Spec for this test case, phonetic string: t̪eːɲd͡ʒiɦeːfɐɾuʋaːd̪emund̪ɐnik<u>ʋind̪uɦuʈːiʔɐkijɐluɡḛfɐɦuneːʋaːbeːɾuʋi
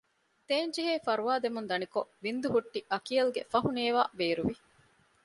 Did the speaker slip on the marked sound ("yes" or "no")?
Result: yes